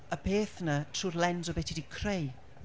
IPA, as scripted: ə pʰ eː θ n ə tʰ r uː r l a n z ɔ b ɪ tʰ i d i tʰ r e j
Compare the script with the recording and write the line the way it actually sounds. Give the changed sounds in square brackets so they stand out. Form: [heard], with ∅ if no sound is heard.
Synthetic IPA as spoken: ə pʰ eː θ n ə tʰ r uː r l [ɛ] n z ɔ b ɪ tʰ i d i [kʰ] r e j